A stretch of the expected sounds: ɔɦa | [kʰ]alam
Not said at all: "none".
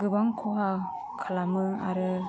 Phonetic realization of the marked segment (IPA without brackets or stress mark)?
kʰ